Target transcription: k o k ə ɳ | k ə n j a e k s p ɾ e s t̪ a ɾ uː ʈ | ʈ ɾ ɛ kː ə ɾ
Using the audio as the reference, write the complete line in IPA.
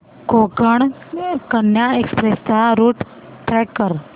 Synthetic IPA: k o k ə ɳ | k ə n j a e k s p ɾ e s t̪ a ɾ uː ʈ | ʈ ɾ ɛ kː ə ɾ